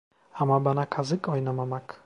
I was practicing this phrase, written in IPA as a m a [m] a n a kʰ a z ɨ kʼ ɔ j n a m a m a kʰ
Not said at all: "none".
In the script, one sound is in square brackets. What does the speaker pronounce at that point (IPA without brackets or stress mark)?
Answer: b